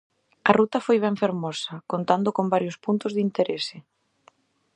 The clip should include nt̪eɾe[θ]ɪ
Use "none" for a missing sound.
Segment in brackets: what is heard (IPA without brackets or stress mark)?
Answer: s